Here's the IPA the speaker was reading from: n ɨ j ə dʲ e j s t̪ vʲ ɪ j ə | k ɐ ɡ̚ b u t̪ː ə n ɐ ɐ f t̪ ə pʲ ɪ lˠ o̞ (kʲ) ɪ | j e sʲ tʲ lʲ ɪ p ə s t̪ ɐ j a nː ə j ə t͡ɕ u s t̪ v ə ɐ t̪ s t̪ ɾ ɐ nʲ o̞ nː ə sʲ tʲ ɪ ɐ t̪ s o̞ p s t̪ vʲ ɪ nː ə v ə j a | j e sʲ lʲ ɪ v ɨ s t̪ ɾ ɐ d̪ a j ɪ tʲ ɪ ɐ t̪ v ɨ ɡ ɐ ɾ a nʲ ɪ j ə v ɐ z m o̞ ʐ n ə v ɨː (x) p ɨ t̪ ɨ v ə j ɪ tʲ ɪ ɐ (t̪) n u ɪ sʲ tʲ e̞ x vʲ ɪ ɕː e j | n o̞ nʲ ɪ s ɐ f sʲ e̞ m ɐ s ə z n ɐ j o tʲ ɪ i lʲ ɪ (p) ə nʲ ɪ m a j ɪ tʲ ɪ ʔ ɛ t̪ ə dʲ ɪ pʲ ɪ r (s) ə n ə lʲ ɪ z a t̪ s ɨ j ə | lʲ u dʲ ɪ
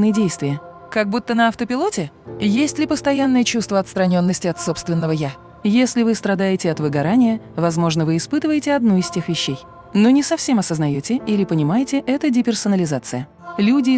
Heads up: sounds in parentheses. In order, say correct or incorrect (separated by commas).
incorrect, incorrect, incorrect, correct, correct